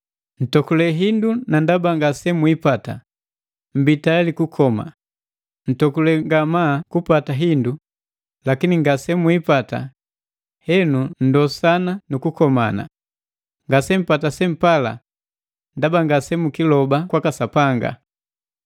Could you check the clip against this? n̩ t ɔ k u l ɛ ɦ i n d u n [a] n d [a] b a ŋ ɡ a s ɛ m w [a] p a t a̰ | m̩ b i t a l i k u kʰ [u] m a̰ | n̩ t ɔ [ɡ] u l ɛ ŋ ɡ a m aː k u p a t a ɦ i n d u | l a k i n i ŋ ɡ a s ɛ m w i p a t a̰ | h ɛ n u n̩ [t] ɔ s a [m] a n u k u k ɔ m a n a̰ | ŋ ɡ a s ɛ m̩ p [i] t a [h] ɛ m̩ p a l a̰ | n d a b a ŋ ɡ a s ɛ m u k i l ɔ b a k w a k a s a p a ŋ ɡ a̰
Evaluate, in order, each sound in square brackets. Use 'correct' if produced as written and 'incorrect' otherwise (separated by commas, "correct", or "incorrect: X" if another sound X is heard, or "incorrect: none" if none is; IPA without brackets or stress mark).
correct, correct, incorrect: i, incorrect: ɔ, incorrect: k, incorrect: d, incorrect: n, incorrect: a, incorrect: s